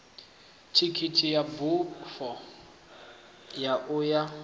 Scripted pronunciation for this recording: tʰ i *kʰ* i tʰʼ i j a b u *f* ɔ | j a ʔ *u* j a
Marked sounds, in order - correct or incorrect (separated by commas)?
correct, correct, incorrect